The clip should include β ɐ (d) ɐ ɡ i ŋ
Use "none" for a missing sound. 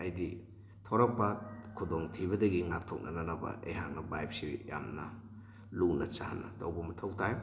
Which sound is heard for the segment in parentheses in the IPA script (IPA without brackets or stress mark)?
d